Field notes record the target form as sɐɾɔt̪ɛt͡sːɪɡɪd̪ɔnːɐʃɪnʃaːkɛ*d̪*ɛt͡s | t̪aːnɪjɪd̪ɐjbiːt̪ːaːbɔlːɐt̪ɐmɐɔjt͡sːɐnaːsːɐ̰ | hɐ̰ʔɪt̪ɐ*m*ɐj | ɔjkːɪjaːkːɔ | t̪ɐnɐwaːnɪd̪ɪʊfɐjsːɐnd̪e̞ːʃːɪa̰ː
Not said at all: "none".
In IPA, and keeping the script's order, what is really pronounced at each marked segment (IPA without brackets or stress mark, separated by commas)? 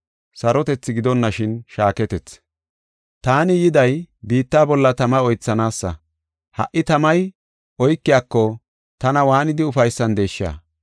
t̪, m